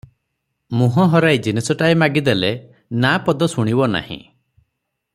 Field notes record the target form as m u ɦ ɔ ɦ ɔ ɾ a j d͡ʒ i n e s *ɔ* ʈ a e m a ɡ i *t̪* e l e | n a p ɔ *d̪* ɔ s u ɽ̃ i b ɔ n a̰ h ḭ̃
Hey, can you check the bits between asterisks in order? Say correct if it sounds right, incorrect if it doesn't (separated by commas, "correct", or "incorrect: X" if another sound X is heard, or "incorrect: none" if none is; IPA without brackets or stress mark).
correct, incorrect: d̪, correct